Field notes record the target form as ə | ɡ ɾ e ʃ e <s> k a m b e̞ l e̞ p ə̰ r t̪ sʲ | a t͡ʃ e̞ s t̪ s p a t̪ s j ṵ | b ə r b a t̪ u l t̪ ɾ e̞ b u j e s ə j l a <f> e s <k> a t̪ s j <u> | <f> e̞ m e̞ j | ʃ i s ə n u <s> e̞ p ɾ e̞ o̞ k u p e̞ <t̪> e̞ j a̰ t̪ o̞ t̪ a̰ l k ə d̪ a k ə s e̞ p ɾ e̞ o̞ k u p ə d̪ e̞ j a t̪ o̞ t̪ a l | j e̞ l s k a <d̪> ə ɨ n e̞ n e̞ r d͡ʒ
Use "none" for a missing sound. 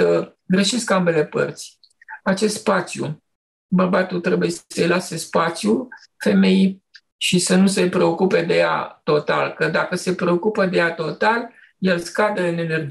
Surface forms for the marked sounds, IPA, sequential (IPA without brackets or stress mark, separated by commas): s, s, p, u, f, s, d̪, d̪